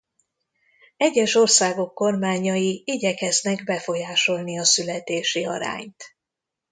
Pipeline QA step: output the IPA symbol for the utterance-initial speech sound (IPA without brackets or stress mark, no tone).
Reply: ɛ